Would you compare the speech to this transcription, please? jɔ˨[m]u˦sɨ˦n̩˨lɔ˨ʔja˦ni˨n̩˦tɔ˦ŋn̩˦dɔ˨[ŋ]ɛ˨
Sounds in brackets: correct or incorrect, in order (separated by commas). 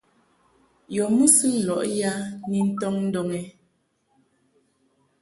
correct, correct